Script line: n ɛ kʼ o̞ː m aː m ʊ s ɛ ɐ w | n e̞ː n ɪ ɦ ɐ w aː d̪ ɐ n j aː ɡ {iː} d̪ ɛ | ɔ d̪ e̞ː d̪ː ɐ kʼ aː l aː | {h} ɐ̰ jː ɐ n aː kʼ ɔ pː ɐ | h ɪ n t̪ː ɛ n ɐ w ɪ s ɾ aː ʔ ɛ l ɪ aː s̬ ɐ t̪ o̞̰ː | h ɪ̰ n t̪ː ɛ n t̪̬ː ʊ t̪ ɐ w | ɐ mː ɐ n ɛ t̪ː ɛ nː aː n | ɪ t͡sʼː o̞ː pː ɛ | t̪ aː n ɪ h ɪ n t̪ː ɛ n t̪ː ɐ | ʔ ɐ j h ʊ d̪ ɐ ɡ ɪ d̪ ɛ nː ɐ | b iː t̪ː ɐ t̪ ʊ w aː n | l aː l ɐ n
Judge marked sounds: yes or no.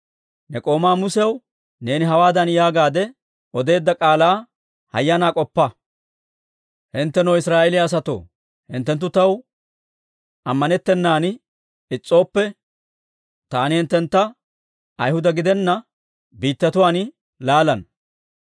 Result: no, yes

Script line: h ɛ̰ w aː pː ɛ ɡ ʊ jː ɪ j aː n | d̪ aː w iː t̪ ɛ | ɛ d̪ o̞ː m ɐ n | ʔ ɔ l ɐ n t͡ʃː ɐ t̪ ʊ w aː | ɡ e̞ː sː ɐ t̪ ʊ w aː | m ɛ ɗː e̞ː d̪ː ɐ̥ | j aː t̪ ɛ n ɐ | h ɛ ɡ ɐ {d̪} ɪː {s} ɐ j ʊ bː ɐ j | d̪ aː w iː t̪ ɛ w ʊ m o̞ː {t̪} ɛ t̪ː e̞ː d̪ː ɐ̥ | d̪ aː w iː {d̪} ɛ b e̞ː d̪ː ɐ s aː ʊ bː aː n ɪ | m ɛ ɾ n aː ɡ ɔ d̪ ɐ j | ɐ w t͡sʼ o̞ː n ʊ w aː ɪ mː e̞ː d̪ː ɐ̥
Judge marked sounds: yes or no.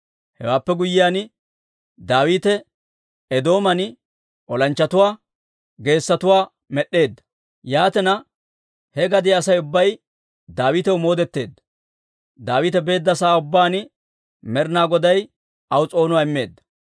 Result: yes, yes, no, no

